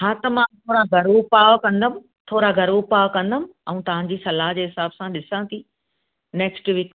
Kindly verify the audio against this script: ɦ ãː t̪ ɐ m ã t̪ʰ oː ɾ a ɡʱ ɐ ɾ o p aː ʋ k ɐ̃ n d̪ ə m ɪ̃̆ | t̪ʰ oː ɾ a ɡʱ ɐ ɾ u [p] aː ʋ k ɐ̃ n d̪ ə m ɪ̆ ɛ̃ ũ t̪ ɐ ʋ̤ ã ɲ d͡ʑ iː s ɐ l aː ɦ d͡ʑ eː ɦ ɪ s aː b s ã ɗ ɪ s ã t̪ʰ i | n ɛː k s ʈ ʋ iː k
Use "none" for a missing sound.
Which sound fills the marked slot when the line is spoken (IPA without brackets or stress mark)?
p